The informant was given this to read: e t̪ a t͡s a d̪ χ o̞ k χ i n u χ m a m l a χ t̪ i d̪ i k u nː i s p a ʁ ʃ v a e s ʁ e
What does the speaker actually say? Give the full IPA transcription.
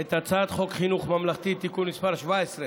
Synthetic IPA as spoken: e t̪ a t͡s a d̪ χ o̞ k χ i n u χ m a m l a χ t̪ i t̪ i k u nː i s p a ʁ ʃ v a e s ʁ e